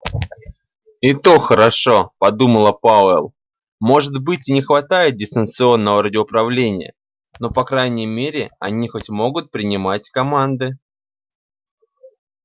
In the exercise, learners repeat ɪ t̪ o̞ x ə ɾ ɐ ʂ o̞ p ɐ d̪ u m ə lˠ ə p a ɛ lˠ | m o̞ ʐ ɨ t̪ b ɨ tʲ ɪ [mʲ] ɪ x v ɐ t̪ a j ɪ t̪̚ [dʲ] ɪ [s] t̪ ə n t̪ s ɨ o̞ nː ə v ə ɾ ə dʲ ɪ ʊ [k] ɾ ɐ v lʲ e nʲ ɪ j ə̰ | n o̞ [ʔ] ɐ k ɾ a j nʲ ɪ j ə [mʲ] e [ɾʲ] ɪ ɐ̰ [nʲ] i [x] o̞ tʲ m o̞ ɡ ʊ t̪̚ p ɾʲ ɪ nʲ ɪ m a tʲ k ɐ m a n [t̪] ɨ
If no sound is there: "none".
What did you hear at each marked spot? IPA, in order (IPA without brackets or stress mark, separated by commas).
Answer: nʲ, dʲ, s, p, p, mʲ, ɾʲ, nʲ, x, d̪